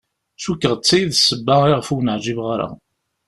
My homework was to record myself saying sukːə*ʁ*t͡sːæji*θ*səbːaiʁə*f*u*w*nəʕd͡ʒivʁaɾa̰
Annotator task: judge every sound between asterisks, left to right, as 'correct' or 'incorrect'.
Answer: correct, incorrect, correct, correct

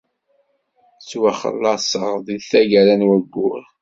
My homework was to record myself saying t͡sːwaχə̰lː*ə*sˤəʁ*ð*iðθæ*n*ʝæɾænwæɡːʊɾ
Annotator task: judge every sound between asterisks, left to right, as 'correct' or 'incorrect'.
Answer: incorrect, correct, incorrect

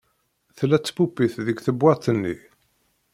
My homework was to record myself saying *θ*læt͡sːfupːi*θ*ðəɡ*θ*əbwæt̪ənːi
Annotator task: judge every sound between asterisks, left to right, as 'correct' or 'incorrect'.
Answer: correct, correct, correct

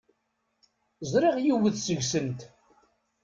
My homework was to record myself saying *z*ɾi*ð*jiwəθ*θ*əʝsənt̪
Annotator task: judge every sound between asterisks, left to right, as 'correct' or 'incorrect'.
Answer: correct, incorrect, incorrect

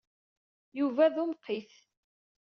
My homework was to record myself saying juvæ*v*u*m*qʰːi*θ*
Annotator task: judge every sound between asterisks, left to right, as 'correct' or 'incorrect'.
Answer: incorrect, correct, correct

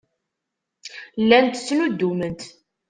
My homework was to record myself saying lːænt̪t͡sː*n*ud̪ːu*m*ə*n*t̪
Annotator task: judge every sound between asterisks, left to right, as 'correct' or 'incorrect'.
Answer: correct, correct, correct

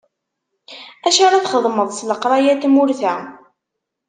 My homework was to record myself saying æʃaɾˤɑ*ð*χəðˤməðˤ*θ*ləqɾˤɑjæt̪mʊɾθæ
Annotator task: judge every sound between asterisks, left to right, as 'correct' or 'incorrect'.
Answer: incorrect, incorrect

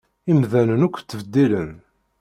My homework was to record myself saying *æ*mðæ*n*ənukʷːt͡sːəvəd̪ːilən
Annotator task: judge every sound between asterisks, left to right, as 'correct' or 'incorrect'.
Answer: incorrect, correct

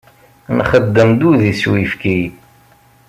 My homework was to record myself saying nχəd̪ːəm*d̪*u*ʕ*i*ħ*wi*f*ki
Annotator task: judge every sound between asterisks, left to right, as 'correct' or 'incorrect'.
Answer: correct, incorrect, incorrect, correct

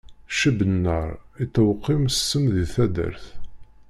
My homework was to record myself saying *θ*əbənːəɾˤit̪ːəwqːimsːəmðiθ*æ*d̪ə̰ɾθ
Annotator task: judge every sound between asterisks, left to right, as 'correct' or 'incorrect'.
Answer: incorrect, correct

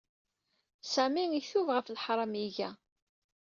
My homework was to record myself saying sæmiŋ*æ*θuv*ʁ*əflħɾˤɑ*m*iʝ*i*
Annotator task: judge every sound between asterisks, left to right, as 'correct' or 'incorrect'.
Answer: incorrect, correct, correct, incorrect

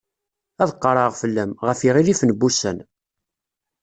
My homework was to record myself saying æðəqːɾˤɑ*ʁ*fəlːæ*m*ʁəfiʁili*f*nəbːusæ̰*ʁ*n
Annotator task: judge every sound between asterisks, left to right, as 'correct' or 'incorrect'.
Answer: correct, correct, correct, incorrect

